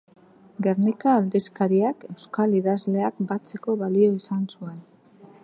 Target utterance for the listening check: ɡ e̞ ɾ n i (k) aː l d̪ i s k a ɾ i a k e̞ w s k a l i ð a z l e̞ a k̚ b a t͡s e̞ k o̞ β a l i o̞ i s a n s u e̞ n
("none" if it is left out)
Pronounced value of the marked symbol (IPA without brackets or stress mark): k